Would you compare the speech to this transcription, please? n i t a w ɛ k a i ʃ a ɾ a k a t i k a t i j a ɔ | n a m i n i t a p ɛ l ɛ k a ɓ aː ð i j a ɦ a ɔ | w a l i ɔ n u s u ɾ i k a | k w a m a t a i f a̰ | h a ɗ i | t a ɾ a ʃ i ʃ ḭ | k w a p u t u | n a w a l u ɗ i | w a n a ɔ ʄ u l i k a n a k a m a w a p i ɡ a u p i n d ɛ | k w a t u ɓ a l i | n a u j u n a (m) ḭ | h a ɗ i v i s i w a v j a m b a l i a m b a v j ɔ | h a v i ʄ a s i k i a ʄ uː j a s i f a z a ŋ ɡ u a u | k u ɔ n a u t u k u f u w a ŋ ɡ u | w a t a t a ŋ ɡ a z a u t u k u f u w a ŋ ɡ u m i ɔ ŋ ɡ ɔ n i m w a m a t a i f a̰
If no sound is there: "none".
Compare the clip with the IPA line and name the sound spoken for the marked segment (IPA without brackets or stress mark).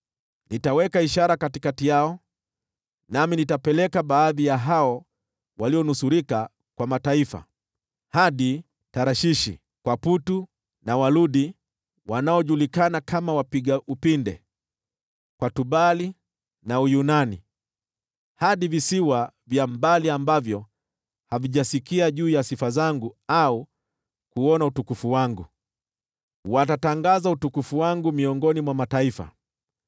n